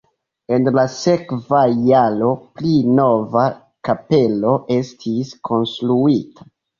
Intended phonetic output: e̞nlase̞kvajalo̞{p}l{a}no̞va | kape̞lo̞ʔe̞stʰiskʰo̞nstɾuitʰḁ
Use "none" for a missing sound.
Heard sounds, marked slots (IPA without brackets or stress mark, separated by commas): p, i